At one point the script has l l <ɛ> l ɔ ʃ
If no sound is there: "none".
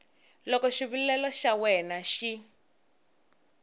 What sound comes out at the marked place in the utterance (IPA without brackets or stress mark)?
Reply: ɛ